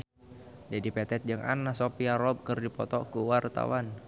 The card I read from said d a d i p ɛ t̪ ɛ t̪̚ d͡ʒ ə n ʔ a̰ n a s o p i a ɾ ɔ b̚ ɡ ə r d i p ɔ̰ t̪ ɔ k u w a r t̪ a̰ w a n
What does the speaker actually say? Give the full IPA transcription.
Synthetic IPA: d͡ʒ a d i p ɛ t̪ ɛ t̪̚ d͡ʒ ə ŋ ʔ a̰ n a s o p i a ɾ ɔ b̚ k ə r d i p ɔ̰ t̪ ɔ k u w a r t̪ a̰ w a n